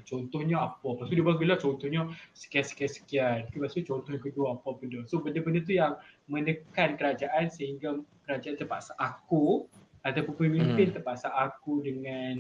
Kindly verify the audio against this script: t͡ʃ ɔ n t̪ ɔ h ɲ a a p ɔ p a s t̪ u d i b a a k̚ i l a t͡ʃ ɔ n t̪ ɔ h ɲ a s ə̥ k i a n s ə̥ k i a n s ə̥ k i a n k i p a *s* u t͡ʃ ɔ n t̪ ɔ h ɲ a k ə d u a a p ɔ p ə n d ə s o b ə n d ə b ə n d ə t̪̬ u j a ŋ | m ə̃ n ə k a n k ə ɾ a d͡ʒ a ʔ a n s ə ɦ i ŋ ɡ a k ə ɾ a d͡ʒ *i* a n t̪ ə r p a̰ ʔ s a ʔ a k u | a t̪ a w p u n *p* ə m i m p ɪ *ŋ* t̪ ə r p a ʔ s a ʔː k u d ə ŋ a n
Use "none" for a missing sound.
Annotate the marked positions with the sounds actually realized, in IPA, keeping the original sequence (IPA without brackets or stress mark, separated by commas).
s, a, p, n